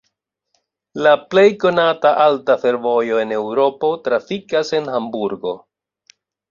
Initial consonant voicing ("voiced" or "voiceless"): voiced